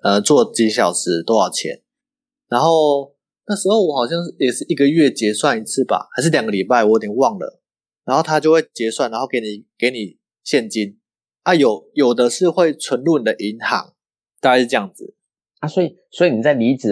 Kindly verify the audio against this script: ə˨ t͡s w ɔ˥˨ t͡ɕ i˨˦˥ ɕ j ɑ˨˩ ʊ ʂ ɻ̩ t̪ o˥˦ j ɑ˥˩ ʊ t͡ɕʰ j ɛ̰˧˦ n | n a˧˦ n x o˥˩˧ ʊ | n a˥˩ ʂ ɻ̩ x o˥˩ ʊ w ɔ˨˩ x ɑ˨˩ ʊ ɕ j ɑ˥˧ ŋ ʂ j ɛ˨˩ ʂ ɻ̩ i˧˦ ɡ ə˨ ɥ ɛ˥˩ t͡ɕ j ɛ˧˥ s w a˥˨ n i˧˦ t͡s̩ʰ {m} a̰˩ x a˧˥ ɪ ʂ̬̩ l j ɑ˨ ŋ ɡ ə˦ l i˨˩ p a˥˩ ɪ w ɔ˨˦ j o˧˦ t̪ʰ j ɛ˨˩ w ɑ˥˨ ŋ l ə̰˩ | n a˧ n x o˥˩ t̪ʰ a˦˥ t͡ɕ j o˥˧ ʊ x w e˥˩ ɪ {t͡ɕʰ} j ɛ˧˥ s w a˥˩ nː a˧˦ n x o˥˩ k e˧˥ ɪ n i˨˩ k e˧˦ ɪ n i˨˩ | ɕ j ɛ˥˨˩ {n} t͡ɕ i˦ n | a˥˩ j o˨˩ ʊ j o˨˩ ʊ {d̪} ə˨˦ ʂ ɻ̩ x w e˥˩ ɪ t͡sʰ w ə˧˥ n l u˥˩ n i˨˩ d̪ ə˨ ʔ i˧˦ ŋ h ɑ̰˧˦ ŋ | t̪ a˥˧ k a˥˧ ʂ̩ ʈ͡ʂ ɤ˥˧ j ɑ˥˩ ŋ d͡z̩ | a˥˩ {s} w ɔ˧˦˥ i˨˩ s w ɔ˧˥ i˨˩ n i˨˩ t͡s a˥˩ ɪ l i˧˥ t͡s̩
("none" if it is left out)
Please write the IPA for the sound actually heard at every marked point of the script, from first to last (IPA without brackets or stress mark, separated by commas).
b, t͡ɕ, n, d̪, s